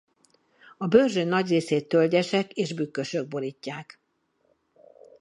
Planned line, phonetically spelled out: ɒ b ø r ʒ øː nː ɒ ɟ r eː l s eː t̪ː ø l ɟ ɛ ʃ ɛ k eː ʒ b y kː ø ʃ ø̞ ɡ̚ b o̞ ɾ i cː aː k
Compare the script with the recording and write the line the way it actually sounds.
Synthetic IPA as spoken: ɒ b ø r ʒ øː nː ɒ ɟ r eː s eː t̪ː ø l ɟ ɛ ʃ ɛ k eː ʒ b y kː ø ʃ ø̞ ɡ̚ b o̞ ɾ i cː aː k

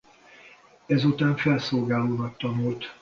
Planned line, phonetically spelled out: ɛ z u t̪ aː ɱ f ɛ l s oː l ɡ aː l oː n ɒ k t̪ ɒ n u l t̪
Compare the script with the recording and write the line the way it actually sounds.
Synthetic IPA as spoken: ɛ z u t̪ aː ɱ f ɛ l s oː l ɡ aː l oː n ɒ k t̪ ɒ n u l t̪

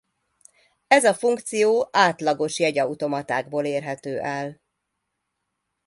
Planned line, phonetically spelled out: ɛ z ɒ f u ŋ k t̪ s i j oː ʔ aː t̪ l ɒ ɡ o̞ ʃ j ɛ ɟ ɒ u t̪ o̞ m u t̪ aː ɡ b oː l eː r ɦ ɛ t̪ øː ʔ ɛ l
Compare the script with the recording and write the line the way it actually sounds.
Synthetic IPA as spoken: ɛ z ɒ f u ŋ k t̪ s i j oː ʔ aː t̪ l ɒ ɡ o̞ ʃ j ɛ ɟ ɒ u t̪ o̞ m ɒ t̪ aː ɡ b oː l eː r ɦ ɛ t̪ øː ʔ ɛ l

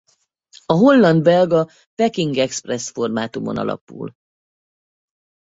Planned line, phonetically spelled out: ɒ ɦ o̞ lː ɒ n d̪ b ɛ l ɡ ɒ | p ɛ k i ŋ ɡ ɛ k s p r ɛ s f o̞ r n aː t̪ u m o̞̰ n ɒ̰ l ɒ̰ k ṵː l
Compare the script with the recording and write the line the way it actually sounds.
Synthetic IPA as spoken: ɒ ɦ o̞ lː ɒ n d̪ b ɛ l ɡ ɒ | p ɛ k i ŋ ɡ ɛ k s p r ɛ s f o̞ r m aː t̪ u m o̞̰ n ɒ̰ l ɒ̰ p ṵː l

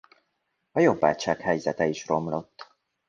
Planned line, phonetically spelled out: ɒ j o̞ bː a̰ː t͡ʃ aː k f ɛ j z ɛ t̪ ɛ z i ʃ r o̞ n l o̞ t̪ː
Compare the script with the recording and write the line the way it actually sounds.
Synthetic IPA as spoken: ɒ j o̞ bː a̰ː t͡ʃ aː k h ɛ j z ɛ t̪ ɛ i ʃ r o̞ m l o̞ t̪ː

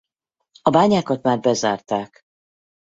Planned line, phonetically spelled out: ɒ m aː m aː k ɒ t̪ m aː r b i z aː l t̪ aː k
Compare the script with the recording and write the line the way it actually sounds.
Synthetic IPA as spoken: ɒ b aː ɲ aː k ɒ t̪ m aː r b ɛ z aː r t̪ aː k

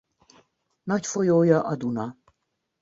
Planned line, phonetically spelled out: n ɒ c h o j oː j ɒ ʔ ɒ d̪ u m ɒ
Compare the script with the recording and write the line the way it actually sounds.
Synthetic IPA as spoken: n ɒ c f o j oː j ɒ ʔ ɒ d̪ u n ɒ

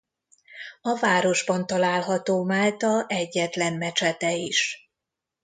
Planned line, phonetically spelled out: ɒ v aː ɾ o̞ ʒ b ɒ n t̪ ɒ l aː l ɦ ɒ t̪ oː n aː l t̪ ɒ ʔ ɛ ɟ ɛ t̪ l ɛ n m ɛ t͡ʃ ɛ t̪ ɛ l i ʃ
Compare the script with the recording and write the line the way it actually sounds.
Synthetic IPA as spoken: ɒ v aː ɾ o̞ ʒ b ɒ n t̪ ɒ l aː l ɦ ɒ t̪ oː m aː l t̪ ɒ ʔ ɛ ɟː ɛ t̪ l ɛ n m ɛ t͡ʃ ɛ t̪ ɛ i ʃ

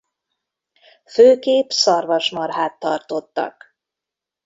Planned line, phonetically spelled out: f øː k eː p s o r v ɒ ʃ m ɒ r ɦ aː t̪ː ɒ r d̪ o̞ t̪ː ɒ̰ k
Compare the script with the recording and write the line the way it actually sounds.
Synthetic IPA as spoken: f øː k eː p s ɒ r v ɒ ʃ m ɒ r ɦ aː t̪ː ɒ r t̪ o̞ t̪ː ɒ̰ k

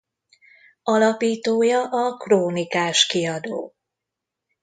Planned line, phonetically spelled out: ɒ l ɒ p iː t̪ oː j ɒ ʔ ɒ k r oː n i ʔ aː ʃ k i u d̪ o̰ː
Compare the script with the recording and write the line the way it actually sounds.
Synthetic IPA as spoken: ɒ l ɒ p iː t̪ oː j ɒ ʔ ɒ k r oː n i k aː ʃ k i ɒ d̪ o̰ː

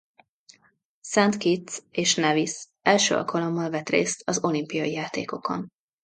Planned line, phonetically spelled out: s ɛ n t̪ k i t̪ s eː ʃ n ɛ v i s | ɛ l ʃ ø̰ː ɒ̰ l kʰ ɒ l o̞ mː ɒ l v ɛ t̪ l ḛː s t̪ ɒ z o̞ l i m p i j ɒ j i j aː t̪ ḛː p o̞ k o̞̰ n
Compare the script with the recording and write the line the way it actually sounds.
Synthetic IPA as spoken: s ɛ n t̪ k i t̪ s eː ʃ n ɛ v i s | ɛ l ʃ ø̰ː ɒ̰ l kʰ ɒ l o̞ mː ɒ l v ɛ t̪ r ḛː s t̪ ɒ z o̞ l i m p i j ɒ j i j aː t̪ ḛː k o̞ k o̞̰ n

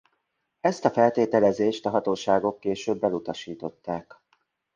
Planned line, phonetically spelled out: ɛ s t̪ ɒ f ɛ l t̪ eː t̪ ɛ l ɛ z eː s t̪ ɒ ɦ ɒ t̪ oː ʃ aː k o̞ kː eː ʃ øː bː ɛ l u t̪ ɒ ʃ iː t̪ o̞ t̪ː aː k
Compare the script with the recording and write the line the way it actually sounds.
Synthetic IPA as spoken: ɛ s t̪ ɒ f ɛ l t̪ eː t̪ ɛ l ɛ z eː ʃ t̪ ɒ ɦ ɒ t̪ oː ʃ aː ɡ o̞ kː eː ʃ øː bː ɛ l u t̪ ɒ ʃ iː t̪ o̞ t̪ː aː k

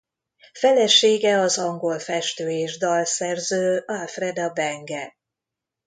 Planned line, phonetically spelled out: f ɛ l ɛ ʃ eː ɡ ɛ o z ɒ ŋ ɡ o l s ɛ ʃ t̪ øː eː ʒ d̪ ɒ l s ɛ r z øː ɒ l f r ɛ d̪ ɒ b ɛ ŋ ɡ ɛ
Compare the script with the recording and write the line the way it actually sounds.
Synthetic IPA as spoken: f ɛ l ɛ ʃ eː ɡ ɛ ɒ z ɒ ŋ ɡ o l f ɛ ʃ t̪ øː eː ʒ d̪ ɒ l s ɛ r z øː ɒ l f r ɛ d̪ ɒ b ɛ ŋ ɡ ɛ

